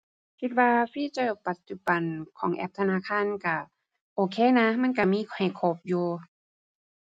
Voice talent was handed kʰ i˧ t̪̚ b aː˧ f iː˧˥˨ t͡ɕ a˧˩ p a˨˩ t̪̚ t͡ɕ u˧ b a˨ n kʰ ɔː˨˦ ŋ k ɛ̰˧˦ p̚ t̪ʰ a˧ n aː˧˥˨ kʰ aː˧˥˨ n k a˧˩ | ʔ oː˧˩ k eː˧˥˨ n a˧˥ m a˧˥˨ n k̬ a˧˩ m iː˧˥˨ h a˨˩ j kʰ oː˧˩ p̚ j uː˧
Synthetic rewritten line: kʰ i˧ t̪̚ w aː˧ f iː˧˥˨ t͡ɕ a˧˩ p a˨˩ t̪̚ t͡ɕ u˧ b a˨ n kʰ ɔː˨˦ ŋ ʔ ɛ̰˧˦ p̚ t̪ʰ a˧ n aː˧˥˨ kʰ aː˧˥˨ n k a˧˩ | ʔ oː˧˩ kʰ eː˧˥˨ n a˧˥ m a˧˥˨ n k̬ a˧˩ m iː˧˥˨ h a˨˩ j kʰ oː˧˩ p̚ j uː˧

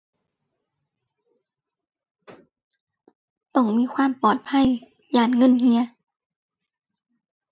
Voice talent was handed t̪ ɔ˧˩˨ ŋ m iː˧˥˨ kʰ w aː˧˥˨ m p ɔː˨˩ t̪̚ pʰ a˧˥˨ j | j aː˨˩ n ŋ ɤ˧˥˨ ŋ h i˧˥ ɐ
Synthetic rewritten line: t̪ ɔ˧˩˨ ŋ m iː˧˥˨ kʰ w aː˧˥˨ m p ɔː˨˩ t̪̚ pʰ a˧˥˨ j | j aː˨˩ n ŋ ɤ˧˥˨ n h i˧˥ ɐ

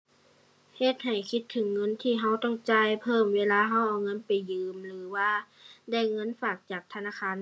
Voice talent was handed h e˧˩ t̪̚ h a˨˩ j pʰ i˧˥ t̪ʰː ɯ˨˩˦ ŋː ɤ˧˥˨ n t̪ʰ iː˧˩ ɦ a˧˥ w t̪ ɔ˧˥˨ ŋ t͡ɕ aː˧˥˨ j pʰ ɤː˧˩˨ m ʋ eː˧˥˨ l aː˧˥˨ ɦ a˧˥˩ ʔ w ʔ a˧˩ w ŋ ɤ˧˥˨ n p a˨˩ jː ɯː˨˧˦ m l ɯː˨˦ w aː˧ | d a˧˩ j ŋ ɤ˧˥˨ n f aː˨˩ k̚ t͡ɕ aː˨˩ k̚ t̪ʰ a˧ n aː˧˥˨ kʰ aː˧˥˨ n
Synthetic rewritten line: h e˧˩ t̪̚ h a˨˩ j kʰ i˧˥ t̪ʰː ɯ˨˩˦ ŋː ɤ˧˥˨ n t̪ʰ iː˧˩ ɦ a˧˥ w t̪ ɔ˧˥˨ ŋ t͡ɕ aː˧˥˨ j pʰ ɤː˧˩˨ m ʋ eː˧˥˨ l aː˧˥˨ ɦ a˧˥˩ w ʔ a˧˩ w ŋ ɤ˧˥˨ n p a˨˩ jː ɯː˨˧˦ m l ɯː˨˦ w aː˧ | d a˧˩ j ŋ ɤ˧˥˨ n f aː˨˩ k̚ t͡ɕ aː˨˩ k̚ t̪ʰ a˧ n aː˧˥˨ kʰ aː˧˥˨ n

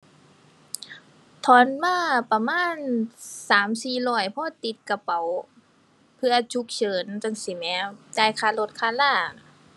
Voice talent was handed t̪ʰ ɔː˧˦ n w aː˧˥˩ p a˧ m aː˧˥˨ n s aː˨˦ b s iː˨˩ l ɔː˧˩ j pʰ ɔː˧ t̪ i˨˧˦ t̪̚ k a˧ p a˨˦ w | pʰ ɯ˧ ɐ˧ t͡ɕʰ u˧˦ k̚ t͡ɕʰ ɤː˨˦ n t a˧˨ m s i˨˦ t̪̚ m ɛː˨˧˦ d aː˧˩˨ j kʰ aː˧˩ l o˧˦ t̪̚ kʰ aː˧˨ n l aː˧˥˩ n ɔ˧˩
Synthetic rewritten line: t̪ʰ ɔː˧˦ n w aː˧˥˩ p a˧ m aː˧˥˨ n s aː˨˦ m s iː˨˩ l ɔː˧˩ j pʰ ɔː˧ t̪ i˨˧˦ t̪̚ k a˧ p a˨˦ w | pʰ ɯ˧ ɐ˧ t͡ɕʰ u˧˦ k̚ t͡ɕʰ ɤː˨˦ n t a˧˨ ŋ s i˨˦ m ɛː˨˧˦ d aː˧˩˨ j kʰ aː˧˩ l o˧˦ t̪̚ kʰ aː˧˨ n l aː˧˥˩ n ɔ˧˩

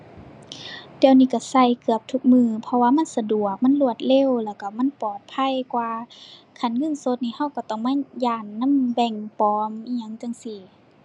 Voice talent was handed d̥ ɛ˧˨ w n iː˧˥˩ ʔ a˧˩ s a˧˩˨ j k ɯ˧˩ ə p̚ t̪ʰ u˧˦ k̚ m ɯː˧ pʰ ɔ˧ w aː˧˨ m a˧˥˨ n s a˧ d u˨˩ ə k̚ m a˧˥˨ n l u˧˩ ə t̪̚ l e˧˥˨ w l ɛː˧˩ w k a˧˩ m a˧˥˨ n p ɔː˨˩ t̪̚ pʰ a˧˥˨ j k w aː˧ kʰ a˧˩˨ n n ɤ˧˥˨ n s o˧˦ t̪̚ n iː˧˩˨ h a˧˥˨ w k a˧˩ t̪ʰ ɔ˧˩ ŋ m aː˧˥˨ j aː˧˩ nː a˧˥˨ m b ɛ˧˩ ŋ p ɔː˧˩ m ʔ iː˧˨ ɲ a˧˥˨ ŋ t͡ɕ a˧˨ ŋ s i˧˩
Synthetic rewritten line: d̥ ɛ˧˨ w n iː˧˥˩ k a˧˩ s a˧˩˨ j k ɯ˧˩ ə p̚ t̪ʰ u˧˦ k̚ m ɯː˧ pʰ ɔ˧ w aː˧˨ m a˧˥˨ n s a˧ d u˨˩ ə k̚ m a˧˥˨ n l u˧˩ ə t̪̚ l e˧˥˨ w l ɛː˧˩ w k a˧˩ m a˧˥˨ n p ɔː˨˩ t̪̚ pʰ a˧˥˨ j k w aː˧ kʰ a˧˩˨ n ŋ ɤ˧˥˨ n s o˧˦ t̪̚ n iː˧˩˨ h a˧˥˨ w k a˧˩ t̪ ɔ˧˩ ŋ m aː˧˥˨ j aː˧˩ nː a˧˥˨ m b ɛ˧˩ ŋ p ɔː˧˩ m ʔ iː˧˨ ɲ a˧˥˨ ŋ t͡ɕ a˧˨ ŋ s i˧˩

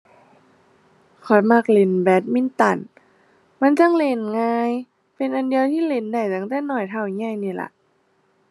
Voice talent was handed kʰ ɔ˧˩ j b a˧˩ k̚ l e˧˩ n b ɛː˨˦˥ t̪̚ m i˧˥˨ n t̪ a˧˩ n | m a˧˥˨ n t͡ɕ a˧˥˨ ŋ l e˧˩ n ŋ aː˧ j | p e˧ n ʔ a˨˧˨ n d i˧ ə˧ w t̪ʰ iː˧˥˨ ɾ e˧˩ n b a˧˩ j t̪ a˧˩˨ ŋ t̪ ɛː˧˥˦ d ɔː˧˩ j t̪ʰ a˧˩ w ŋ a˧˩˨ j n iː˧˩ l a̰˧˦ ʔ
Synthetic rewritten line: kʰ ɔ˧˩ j m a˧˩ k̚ l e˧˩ n b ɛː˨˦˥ t̪̚ m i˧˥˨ n t̪ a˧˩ n | m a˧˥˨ n t͡ɕ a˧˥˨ ŋ l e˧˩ n ŋ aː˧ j | p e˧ n ʔ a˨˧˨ n d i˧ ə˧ w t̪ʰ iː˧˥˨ l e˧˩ n d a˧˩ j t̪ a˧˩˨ ŋ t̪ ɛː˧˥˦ n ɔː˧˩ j t̪ʰ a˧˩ w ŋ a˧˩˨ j n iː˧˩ l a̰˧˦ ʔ

